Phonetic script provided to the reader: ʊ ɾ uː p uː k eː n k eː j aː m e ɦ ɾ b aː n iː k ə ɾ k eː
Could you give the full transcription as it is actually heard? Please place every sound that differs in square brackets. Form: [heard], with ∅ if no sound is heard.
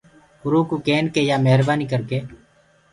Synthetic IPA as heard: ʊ ɾ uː [k] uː k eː n k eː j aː m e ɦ ɾ b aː n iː k ə ɾ k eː